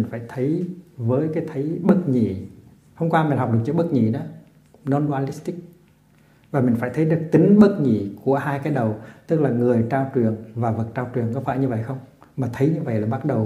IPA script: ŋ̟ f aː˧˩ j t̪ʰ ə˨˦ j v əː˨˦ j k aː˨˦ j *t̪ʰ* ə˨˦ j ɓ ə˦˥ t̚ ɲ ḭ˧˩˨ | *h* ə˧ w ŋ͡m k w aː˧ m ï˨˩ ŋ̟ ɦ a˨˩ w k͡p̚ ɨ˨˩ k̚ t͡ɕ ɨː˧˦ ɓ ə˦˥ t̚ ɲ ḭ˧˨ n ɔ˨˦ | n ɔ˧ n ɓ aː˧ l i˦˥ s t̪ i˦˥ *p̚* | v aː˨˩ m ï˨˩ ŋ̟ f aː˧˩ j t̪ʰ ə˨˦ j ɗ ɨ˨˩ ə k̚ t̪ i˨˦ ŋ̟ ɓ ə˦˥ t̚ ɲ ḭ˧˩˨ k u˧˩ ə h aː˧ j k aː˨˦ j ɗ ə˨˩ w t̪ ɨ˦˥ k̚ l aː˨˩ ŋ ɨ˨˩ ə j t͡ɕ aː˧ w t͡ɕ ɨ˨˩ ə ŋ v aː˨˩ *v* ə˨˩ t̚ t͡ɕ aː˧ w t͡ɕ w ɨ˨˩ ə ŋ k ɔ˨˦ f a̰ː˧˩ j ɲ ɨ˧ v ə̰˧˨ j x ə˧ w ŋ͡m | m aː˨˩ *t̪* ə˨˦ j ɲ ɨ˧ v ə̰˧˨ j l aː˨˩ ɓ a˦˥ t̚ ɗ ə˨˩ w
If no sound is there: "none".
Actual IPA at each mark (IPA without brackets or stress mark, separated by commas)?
t̪ʰ, h, k̚, v, t̪ʰ